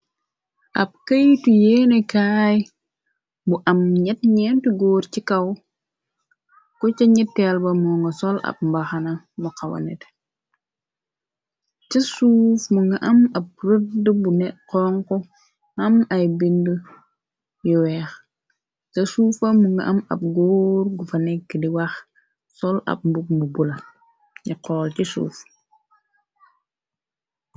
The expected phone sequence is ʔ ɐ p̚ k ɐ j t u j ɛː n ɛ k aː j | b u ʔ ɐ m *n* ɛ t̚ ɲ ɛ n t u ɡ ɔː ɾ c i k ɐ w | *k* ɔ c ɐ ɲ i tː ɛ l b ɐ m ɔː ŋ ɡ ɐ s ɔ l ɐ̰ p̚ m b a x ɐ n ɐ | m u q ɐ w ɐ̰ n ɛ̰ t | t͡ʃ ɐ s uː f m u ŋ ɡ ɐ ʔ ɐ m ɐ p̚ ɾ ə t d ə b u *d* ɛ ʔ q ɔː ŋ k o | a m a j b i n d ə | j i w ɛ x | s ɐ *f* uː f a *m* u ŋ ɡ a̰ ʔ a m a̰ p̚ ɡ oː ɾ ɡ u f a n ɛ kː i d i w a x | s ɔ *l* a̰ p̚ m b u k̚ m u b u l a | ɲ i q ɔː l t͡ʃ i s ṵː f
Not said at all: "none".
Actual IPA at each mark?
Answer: ɲ, k, n, s, m, l

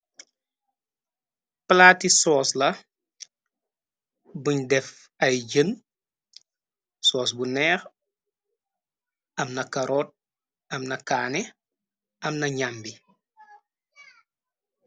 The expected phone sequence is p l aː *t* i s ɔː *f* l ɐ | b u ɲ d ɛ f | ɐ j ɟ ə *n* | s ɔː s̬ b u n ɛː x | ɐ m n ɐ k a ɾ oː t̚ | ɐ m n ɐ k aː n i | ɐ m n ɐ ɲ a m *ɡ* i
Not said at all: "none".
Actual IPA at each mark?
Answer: t, s, n, b

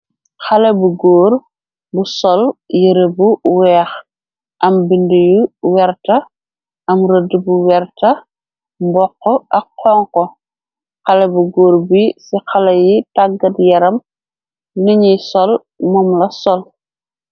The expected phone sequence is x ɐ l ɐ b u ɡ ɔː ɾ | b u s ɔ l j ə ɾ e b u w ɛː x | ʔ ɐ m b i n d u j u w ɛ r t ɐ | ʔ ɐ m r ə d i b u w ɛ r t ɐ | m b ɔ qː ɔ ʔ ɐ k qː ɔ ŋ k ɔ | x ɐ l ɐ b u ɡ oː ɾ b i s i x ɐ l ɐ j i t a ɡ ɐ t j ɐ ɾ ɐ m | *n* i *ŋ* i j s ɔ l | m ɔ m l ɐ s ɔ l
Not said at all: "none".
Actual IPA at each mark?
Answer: n, ɲ

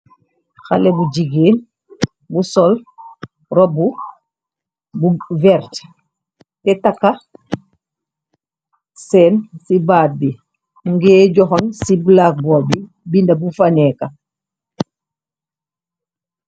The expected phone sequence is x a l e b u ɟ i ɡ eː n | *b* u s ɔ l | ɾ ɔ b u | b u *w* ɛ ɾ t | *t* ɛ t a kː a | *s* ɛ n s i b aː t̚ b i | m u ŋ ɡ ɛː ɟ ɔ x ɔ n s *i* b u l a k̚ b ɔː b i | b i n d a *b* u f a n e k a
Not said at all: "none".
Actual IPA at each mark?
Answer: b, v, t, s, i, b

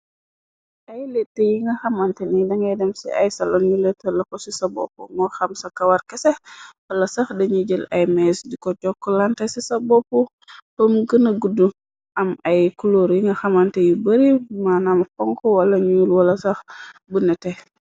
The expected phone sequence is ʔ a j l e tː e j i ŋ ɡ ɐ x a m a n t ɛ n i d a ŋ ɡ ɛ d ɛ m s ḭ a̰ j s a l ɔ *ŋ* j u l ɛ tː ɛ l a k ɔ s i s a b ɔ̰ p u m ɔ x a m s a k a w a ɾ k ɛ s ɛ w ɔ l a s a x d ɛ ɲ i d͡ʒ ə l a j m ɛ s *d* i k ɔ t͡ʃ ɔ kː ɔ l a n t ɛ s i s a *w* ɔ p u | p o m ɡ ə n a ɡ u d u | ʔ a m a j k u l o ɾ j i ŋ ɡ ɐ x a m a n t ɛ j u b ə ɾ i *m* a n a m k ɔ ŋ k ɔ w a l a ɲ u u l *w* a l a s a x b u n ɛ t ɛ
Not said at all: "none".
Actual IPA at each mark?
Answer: n, d, b, m, w

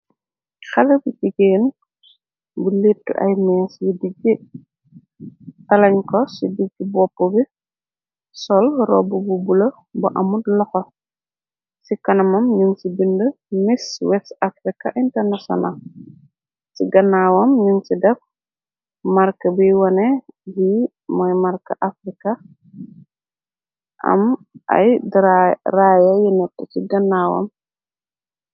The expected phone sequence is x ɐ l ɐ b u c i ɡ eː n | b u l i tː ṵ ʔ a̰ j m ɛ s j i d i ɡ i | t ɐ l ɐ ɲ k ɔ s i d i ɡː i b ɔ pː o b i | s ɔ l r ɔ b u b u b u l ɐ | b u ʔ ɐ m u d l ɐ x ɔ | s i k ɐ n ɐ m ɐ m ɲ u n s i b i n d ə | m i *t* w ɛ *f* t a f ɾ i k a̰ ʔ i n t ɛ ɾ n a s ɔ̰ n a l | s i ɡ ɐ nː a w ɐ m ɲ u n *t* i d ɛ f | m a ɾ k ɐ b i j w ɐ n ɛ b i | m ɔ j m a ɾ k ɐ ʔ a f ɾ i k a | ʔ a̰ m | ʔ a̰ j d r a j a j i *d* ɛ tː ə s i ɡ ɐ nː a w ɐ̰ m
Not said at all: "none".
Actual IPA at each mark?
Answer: s, s, s, n

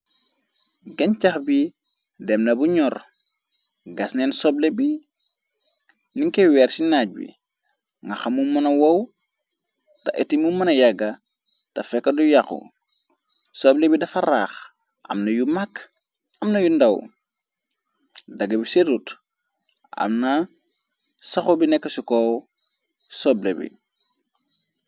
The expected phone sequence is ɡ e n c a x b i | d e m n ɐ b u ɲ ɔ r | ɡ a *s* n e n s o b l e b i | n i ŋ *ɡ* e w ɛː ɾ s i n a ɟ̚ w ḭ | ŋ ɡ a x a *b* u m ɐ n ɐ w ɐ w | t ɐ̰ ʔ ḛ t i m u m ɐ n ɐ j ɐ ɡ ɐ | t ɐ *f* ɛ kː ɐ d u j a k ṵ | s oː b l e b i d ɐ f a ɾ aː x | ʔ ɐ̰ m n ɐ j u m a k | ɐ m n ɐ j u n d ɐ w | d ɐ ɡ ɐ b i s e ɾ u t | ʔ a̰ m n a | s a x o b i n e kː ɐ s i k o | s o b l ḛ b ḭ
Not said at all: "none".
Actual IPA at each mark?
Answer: s, k, m, f

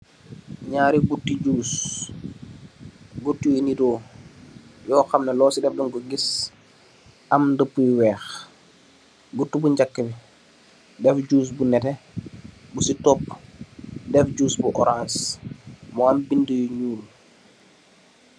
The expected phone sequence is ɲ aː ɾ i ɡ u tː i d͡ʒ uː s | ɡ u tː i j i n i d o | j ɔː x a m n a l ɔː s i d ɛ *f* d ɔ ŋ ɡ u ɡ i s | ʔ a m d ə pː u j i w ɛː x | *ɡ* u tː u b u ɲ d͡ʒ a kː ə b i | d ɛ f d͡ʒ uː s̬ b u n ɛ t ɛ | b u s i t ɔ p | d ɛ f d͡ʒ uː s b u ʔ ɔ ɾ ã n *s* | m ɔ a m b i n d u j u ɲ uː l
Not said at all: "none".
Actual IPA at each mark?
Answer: f, ɡ, s

